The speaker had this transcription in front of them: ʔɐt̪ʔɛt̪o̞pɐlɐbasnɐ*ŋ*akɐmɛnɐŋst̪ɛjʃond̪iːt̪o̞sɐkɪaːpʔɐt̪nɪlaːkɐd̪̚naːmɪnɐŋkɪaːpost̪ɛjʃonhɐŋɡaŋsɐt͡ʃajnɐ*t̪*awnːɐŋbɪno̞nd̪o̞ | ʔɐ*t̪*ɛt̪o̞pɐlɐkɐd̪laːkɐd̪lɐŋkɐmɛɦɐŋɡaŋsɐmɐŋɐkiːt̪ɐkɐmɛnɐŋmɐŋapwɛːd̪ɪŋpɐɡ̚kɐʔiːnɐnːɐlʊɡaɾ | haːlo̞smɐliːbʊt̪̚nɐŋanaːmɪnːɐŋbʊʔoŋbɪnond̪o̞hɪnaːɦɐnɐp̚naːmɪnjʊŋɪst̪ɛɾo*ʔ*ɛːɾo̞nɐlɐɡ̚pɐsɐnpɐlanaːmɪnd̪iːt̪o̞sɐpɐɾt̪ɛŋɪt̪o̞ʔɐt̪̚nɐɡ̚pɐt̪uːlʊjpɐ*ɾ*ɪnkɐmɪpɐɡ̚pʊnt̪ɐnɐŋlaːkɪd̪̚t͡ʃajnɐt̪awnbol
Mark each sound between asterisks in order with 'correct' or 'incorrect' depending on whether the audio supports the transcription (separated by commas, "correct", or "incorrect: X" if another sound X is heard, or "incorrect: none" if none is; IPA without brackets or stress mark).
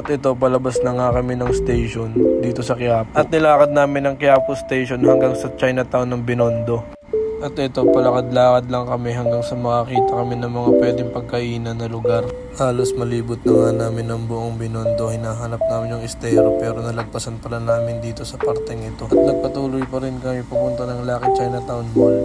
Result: correct, correct, correct, incorrect: p, correct